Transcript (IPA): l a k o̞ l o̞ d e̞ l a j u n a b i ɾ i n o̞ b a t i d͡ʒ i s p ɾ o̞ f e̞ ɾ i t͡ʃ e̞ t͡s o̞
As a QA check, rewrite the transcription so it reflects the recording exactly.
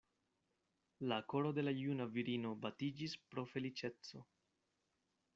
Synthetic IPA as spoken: l a k o̞ ɾ o̞ d e̞ l a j u n a v i ɾ i n o̞ b a t i d͡ʒ i s p ɾ o̞ f e̞ l i t͡ʃ e̞ t͡s o̞